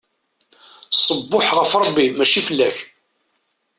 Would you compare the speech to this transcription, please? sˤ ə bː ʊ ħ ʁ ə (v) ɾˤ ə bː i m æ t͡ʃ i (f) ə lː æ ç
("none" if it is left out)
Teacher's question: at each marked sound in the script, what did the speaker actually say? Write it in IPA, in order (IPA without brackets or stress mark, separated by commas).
f, f